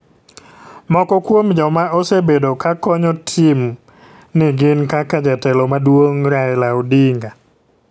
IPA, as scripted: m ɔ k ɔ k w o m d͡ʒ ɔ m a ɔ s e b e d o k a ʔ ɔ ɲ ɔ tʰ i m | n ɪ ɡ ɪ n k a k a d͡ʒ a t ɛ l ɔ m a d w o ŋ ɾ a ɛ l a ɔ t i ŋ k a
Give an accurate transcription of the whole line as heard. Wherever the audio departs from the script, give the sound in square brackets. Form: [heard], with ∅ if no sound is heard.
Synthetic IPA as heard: m ɔ k ɔ k w o m d͡ʒ ɔ m a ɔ s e b e d o k a [k] ɔ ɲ ɔ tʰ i m | n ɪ ɡ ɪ n k a k a d͡ʒ a t ɛ l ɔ m a d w o ŋ ɾ a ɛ l a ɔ [d] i ŋ [ɡ] a

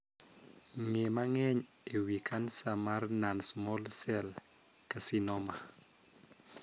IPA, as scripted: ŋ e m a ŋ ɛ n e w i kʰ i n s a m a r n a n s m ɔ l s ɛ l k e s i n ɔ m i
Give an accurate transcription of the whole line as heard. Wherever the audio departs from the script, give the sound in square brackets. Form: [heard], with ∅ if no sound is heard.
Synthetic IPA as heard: ŋ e m a ŋ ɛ [ɲ] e w i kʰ [a] n s a m a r n a n s m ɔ l s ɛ l k [a] s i n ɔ m [a]

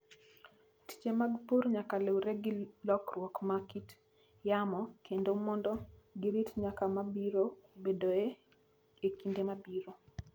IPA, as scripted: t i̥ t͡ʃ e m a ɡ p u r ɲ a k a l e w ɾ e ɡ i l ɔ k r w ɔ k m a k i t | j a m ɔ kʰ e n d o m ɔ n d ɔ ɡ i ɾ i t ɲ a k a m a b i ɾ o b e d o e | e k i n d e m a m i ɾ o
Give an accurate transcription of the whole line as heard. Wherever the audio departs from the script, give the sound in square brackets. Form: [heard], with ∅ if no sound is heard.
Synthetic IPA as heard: t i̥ t͡ʃ e m a ɡ p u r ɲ a k a l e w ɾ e ɡ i l ɔ k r w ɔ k m a k i t | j a m ɔ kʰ e n d o m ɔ n d ɔ ɡ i ɾ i t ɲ a k a m a b i ɾ o b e d o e | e k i n d e m a [b] i ɾ o

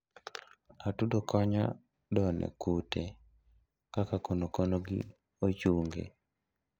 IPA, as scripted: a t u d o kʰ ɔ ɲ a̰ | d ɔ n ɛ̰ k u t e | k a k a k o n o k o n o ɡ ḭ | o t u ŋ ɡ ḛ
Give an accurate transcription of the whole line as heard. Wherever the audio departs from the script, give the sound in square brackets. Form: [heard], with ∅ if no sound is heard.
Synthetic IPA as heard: a t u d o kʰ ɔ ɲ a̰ | d ɔ n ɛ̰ k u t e | k a k a k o n o k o n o ɡ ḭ | o [t͡ʃ] u ŋ ɡ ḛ

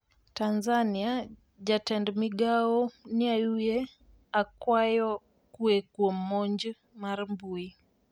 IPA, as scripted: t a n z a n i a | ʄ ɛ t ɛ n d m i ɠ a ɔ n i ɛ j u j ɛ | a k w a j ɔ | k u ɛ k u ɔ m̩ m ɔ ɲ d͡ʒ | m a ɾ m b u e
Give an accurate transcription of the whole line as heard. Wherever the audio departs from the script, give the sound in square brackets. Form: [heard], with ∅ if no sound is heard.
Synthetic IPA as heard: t a n z a n i a | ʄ [a] t ɛ n d m i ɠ a ɔ n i [a] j u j ɛ | a k w a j ɔ | k u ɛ k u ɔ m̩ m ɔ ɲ d͡ʒ | m a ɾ m b u [i]

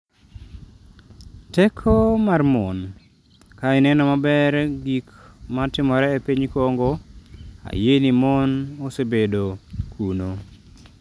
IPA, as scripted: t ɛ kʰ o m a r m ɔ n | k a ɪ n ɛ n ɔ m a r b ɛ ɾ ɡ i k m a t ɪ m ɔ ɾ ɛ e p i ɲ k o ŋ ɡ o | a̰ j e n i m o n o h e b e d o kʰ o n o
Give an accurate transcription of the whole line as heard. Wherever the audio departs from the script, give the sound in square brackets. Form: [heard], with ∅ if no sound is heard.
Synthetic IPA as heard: t ɛ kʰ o m a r m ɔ n | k a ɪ n ɛ n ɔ m a [∅] b ɛ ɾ ɡ i k m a t ɪ m ɔ ɾ ɛ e p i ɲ k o ŋ ɡ o | a̰ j e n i m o n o [s] e b e d o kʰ [u] n o

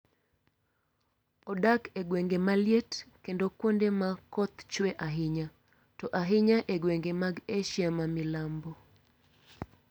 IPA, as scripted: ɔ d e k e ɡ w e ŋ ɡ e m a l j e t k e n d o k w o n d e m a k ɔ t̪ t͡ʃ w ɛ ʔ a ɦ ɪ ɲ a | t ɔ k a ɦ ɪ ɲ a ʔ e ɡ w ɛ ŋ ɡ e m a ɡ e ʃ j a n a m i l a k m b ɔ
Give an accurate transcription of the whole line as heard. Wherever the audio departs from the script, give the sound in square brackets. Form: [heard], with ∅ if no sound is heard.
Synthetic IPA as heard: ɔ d [a] k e ɡ w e ŋ ɡ e m a l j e t k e n d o k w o n d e m a k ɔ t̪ t͡ʃ w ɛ ʔ a ɦ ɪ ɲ a | t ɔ [ʔ] a ɦ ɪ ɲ a ʔ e ɡ w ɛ ŋ ɡ e m a ɡ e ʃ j a [m] a m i l a [∅] m b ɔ

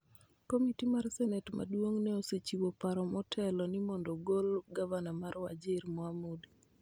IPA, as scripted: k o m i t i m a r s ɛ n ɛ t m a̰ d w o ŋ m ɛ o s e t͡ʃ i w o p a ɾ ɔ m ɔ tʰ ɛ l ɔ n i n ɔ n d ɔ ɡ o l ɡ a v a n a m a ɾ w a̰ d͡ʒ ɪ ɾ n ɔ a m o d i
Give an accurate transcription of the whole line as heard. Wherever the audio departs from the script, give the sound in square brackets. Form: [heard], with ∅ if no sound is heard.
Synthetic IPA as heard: k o m i t i m a r s ɛ n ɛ t m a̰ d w o ŋ [n] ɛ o s e t͡ʃ i w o p a ɾ ɔ m ɔ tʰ ɛ l ɔ n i [m] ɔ n d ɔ ɡ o l ɡ a v a n a m a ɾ w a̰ d͡ʒ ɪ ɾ [m] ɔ a m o d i

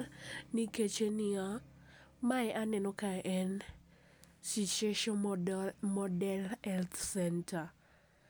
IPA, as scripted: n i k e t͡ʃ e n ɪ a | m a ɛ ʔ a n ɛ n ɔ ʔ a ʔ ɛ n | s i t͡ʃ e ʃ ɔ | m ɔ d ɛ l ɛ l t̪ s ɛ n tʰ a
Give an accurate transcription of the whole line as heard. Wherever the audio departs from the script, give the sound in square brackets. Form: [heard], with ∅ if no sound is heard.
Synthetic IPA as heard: n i k e t͡ʃ e n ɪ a | m a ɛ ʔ a n ɛ n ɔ [k] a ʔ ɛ n | s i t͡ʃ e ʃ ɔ | m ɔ d ɛ l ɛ l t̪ s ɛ n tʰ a

